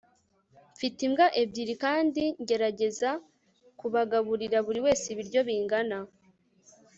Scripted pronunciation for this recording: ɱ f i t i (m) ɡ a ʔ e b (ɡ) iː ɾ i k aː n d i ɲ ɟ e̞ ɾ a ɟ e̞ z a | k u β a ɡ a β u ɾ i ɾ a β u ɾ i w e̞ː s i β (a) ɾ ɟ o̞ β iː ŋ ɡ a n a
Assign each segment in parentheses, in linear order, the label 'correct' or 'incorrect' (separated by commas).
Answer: correct, incorrect, incorrect